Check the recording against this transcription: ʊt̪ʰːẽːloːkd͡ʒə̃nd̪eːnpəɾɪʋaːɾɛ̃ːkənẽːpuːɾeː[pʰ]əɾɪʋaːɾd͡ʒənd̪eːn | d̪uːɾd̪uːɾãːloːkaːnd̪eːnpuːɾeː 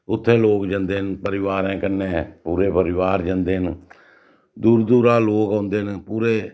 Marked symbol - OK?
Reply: no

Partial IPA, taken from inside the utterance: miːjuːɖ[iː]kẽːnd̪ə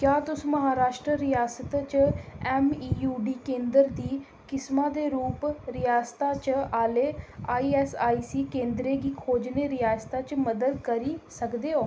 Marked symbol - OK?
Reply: yes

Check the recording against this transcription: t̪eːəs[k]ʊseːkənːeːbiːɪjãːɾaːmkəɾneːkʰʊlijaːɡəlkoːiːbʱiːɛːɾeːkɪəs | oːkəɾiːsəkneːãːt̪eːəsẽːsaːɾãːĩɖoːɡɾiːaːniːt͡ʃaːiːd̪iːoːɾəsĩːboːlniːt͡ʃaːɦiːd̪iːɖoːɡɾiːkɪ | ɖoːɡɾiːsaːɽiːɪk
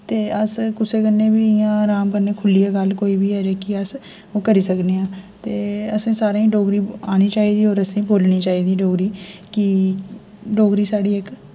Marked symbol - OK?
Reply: yes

